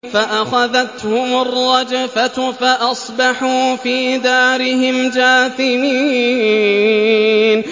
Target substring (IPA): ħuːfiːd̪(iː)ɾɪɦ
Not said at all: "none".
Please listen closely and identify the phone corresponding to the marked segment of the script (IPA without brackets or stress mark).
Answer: aː